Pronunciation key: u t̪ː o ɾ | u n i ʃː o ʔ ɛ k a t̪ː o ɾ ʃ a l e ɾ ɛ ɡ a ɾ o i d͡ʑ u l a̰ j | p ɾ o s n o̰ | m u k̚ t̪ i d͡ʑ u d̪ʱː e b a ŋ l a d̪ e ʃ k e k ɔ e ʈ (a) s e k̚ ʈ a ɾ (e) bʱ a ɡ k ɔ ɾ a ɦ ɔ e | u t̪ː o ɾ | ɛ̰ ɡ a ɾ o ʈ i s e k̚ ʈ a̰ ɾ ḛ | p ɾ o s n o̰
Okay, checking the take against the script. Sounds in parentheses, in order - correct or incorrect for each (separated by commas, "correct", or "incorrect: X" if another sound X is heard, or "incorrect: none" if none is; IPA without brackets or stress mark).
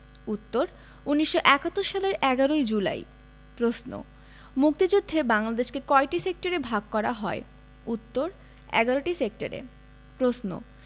incorrect: i, correct